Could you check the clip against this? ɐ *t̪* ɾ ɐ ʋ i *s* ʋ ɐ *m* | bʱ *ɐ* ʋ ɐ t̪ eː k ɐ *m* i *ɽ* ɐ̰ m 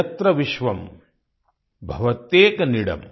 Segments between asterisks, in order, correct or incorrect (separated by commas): correct, incorrect, correct, correct, incorrect, correct